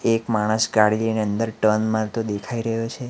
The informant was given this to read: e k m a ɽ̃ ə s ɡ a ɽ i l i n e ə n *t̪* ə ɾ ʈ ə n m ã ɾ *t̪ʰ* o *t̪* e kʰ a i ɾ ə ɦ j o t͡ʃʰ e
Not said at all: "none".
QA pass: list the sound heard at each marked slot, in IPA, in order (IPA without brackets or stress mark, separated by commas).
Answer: d̪, t̪, d̪